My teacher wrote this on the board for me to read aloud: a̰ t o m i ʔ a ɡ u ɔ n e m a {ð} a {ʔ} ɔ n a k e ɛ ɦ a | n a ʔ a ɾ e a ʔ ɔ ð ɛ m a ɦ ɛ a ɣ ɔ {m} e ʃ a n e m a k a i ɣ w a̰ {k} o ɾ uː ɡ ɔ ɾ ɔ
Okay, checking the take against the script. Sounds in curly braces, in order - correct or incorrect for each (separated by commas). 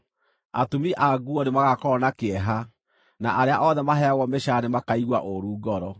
incorrect, incorrect, correct, incorrect